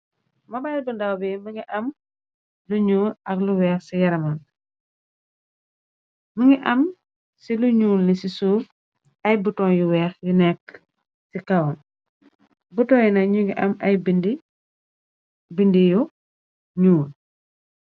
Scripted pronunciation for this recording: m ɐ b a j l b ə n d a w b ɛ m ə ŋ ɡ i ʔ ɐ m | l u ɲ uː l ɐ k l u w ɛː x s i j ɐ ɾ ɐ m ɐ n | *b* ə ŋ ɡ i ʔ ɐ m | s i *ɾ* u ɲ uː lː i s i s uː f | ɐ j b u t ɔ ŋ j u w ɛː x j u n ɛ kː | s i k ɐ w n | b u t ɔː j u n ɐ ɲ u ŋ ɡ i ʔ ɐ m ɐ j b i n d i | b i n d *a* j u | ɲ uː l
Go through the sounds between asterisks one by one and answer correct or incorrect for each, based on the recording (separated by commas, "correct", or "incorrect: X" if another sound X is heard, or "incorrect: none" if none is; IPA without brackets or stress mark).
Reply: incorrect: m, incorrect: l, incorrect: i